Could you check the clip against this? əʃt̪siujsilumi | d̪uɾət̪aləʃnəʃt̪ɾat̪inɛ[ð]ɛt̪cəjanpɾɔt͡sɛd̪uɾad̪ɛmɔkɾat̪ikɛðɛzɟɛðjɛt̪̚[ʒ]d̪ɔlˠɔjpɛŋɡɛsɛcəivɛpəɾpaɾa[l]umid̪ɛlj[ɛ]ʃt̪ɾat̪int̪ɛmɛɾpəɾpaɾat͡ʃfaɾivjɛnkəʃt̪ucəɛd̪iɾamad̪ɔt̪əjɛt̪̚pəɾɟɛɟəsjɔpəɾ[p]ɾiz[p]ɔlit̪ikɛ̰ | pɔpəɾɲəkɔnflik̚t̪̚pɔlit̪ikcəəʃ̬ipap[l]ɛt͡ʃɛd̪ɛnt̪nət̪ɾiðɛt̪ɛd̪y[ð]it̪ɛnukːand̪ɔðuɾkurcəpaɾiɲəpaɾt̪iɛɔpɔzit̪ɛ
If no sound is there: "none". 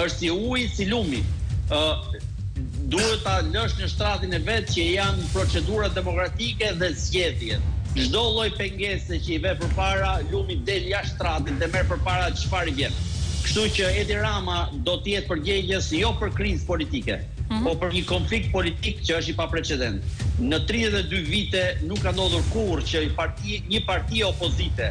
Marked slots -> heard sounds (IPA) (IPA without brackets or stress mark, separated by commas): v, ʒ, l, a, k, p, ɾ, v